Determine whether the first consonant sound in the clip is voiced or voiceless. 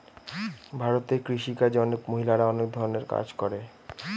voiced